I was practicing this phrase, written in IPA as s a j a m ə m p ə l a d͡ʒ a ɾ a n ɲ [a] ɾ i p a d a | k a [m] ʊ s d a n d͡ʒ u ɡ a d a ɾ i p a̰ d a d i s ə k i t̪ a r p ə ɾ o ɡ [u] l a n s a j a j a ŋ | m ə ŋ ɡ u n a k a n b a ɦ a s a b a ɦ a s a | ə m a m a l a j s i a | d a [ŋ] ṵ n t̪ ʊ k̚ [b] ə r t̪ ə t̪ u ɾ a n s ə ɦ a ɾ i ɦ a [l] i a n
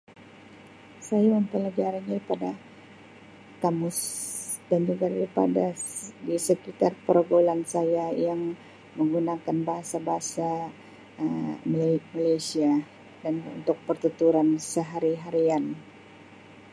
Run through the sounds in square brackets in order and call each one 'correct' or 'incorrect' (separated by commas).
correct, correct, incorrect, incorrect, incorrect, incorrect